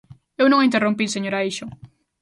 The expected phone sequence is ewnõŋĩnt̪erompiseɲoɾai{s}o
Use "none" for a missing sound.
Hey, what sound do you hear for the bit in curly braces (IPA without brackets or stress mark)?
ʃ